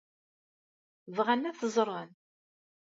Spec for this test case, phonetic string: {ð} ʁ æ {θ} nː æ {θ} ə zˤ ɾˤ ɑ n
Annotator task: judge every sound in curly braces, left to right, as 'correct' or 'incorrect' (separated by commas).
incorrect, incorrect, correct